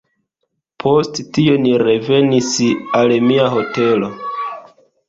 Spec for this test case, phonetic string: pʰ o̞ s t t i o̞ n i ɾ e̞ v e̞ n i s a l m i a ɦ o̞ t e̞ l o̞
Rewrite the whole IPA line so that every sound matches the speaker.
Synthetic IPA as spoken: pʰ o̞ s t t i o̞ n i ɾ e̞ v e̞ n i s a l m i a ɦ o̞ t e̞ l o̞